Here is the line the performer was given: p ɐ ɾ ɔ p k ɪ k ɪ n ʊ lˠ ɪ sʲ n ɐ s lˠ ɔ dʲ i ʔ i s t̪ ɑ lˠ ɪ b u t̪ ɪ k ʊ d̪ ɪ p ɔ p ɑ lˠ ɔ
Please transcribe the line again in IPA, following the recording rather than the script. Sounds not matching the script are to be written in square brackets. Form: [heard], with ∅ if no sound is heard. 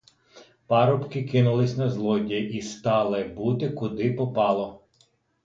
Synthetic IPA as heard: p [ɑ] ɾ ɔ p k ɪ k ɪ n ʊ lˠ ɪ sʲ n ɐ [z] lˠ ɔ dʲ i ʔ i s t̪ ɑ lˠ ɪ b u t̪ ɪ k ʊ d̪ ɪ p ɔ p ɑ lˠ ɔ